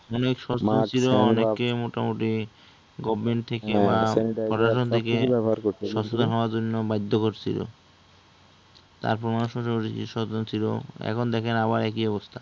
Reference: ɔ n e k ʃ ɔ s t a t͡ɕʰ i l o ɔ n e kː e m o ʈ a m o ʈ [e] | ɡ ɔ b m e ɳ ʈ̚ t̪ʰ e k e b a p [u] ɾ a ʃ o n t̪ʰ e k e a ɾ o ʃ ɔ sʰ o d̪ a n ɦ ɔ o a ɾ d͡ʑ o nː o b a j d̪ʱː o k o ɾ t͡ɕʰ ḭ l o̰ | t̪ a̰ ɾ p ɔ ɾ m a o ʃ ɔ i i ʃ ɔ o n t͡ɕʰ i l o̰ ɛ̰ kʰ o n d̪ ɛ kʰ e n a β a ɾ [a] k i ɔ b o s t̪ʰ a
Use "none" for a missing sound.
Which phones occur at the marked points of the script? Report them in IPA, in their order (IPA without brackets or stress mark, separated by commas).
i, ɔ, ɛ